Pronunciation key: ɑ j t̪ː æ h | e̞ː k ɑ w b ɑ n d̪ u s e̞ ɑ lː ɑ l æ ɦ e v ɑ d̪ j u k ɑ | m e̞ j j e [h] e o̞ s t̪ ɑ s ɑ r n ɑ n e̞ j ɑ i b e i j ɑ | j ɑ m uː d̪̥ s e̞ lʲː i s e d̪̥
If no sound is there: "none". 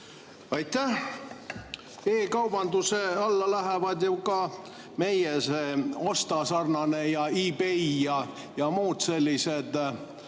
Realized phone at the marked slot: s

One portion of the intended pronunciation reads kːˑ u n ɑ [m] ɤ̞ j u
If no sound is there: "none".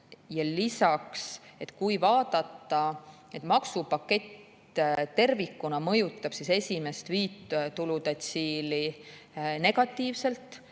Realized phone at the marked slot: m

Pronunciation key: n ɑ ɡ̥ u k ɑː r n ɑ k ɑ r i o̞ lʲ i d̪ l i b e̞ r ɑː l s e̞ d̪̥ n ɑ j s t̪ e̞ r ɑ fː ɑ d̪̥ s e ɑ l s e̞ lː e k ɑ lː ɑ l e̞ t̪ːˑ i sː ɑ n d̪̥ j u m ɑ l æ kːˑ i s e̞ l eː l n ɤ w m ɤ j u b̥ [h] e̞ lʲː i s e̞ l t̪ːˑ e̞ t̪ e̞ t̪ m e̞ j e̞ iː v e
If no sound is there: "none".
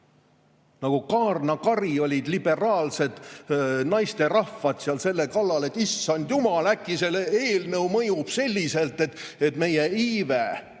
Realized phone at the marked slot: s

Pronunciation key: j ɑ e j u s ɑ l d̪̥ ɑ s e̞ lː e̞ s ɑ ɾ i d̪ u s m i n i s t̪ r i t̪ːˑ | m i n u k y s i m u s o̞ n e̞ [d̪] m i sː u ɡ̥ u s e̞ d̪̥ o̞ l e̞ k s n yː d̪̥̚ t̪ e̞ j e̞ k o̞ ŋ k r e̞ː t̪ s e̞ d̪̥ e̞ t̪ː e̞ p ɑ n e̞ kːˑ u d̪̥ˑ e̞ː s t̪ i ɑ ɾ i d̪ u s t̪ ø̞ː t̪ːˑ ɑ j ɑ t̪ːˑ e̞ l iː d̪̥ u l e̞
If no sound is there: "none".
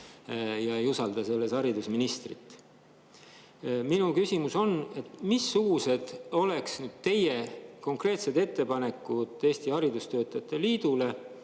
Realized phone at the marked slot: t̪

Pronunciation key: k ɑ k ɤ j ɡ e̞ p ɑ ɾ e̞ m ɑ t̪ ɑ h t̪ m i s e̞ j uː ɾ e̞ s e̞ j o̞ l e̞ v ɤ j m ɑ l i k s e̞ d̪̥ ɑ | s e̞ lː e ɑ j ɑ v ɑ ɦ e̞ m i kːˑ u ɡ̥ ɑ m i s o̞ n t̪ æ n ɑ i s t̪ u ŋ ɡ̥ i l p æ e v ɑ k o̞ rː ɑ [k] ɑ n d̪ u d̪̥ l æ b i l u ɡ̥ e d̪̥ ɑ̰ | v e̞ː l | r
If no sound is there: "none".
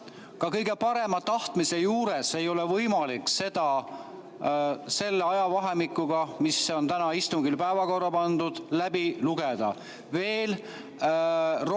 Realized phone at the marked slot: p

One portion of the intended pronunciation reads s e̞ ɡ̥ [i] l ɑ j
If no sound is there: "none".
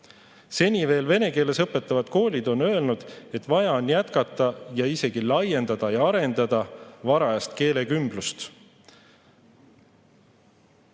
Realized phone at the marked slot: i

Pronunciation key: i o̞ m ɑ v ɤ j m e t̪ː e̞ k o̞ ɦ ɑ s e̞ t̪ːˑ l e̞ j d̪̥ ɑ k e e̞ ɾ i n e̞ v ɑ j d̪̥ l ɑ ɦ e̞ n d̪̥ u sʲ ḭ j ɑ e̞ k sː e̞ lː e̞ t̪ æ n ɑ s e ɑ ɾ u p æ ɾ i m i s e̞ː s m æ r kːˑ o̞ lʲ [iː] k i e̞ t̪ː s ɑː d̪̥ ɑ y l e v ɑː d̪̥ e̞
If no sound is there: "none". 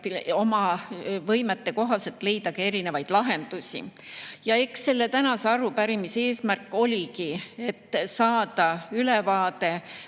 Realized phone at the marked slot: i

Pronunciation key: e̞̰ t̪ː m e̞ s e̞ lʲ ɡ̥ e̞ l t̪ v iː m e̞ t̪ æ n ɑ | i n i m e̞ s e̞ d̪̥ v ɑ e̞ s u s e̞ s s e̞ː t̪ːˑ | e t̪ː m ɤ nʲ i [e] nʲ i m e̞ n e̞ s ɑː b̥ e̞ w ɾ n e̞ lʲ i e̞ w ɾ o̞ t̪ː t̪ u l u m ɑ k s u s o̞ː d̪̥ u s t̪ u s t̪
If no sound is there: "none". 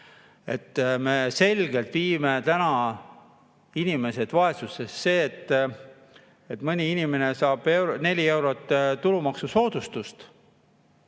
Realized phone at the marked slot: i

